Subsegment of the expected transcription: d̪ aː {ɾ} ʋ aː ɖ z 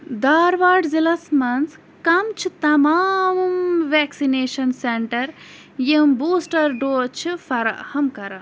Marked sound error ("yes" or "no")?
no